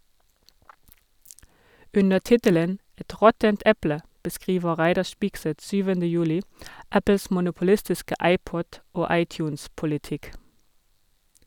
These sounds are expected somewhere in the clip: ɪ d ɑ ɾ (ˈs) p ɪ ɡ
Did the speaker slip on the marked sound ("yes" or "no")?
yes